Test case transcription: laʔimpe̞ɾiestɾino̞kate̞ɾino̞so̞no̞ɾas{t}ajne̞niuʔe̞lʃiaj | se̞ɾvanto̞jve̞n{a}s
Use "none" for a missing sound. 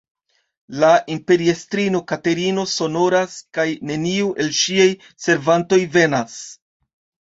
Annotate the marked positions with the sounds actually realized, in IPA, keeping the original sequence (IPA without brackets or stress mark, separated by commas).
k, a